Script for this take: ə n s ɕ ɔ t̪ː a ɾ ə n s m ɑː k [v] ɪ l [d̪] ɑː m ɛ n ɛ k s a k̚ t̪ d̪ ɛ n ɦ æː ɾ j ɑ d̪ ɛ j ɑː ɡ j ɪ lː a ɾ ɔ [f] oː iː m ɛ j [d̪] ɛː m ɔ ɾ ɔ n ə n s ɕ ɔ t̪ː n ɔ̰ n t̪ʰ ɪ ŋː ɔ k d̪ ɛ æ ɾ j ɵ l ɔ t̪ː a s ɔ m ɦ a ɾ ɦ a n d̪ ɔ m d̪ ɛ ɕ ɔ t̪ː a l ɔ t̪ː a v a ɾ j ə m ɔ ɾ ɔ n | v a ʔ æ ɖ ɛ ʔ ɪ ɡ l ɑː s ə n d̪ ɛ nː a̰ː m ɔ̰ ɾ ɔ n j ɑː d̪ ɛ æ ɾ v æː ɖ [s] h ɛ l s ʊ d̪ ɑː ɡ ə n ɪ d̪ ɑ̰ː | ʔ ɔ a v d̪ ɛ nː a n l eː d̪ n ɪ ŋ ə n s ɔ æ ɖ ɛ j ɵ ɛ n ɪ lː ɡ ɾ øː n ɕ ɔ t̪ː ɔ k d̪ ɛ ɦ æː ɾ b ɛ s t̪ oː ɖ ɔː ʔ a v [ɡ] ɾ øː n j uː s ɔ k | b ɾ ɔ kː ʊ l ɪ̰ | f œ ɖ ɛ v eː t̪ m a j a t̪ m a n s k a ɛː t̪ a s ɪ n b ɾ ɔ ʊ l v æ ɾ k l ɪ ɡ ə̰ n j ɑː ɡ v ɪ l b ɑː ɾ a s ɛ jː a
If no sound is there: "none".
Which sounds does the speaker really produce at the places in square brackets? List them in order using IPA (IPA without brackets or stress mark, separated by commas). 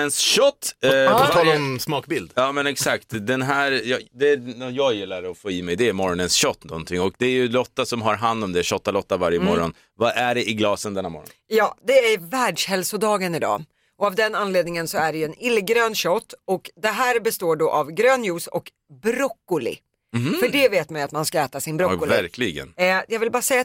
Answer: b, d̪, f, d̪, ʂ, ɡ